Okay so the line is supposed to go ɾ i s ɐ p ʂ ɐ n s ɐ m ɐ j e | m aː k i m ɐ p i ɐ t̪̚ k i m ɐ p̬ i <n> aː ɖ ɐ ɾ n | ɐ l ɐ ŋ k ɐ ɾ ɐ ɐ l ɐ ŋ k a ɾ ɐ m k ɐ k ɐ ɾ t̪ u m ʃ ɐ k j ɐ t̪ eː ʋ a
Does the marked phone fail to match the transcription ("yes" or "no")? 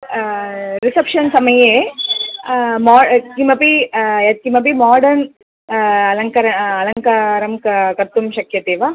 yes